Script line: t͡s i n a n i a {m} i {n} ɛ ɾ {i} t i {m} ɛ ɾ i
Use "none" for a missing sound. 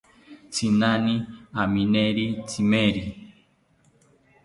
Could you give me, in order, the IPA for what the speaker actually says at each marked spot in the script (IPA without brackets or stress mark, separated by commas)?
m, n, i, m